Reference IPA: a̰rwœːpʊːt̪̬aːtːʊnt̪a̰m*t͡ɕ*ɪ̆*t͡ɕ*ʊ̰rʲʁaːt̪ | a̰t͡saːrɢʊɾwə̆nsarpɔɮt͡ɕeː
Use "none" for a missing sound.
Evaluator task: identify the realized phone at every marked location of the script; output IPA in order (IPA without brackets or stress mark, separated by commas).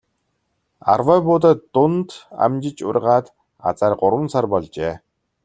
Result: t͡ɕ, t͡ɕ